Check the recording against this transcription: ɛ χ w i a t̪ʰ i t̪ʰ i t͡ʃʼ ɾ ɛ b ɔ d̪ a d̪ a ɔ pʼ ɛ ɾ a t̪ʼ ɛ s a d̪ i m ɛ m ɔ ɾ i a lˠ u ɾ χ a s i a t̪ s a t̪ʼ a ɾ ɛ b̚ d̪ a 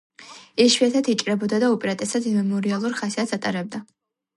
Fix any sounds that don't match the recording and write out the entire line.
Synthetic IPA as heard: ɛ ʃ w i a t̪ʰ a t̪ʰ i t͡ʃʼ ɾ ɛ b ɔ d̪ a d̪ a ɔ pʼ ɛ ɾ a t̪ʼ ɛ s a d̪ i m ɛ m ɔ ɾ i a lˠ u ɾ χ a s i a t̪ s a t̪ʼ a ɾ ɛ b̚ d̪ a